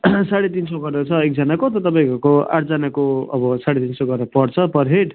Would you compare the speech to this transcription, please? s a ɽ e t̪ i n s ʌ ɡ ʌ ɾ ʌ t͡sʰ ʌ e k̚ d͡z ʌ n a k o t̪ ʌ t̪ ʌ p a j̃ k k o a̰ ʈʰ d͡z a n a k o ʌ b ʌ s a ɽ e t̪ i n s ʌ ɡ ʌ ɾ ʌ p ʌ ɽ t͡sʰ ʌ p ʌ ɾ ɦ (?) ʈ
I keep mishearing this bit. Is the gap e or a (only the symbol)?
e